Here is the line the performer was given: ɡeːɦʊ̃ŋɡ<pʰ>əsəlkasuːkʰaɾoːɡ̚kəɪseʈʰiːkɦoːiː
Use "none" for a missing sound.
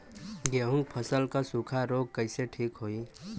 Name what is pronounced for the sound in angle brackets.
pʰ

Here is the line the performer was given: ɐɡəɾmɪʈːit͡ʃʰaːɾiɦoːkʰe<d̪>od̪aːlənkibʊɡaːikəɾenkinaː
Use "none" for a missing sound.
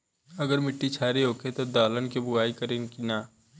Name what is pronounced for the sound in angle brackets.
t̪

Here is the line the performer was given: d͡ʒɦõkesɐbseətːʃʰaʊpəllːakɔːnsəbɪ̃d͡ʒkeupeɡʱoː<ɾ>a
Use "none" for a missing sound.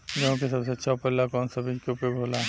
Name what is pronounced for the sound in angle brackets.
l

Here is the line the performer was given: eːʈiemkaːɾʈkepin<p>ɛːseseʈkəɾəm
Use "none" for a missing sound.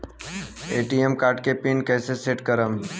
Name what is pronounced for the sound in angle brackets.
k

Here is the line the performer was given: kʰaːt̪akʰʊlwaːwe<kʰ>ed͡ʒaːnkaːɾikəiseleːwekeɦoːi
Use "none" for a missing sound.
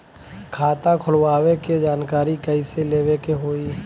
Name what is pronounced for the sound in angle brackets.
k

